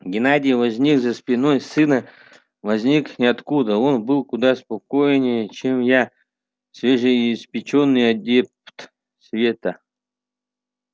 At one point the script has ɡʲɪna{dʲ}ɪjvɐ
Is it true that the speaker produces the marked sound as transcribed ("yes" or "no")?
yes